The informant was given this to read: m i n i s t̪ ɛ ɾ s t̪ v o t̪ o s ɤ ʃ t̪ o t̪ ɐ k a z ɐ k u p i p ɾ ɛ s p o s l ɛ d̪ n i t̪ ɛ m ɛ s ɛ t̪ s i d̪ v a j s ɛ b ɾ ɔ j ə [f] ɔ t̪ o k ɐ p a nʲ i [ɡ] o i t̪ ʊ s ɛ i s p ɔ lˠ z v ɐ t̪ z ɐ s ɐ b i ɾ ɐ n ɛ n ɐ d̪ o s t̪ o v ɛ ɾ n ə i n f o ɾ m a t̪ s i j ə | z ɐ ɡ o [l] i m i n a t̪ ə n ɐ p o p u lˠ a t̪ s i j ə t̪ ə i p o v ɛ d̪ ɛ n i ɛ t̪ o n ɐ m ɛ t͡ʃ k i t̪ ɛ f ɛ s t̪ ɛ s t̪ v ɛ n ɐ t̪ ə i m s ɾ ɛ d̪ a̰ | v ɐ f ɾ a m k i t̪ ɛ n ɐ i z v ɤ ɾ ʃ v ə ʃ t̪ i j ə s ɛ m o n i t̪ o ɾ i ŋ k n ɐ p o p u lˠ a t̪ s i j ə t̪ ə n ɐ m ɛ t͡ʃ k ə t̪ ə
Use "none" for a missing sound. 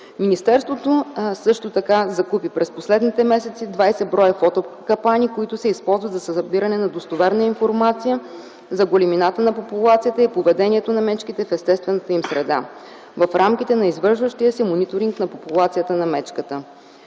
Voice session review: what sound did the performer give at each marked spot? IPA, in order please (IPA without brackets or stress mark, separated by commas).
f, k, l